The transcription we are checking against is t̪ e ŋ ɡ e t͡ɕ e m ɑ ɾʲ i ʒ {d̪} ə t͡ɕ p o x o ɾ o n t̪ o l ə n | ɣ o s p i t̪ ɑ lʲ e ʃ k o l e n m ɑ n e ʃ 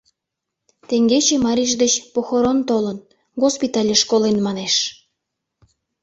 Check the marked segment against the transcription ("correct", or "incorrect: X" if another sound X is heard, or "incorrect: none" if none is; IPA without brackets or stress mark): correct